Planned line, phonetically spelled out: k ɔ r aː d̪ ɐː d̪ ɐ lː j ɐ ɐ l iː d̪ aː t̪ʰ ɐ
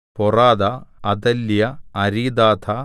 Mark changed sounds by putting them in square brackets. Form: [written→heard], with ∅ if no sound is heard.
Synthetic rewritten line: [k→p] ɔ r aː d̪ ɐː d̪ ɐ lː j ɐ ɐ [l→ɾ] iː d̪ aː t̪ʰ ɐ